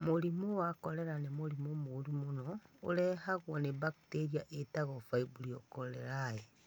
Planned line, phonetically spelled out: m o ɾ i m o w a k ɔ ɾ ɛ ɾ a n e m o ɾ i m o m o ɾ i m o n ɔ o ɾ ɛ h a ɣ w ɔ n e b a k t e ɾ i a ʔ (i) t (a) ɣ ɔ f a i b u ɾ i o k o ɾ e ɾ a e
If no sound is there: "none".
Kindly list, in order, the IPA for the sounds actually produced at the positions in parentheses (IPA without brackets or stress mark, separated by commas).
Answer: e, a